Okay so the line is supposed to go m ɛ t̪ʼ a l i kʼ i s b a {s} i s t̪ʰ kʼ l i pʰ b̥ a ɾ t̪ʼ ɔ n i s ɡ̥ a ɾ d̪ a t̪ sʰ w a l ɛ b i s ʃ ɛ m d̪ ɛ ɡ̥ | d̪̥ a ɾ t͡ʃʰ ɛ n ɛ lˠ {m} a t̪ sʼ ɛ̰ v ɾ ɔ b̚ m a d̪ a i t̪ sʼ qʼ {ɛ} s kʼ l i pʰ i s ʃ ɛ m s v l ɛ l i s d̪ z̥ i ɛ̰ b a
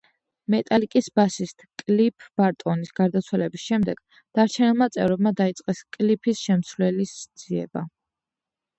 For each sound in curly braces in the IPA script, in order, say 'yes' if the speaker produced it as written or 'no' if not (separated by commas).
yes, yes, yes